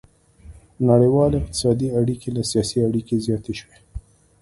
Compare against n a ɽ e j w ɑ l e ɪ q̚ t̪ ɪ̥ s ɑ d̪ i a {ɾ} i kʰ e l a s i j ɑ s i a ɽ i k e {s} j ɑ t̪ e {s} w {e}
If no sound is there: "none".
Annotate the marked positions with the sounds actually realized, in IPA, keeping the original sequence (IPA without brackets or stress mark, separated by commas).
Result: ɽ, z, ʃ, e